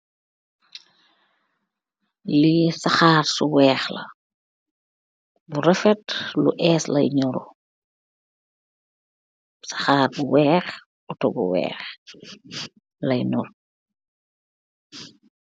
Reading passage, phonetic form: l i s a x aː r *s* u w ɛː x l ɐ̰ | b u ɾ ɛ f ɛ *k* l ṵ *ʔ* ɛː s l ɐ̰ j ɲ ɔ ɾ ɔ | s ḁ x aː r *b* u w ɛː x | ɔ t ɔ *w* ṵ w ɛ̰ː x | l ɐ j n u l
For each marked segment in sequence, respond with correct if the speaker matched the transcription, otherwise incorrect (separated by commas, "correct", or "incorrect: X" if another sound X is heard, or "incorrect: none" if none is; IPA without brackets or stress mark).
correct, incorrect: t, correct, correct, incorrect: b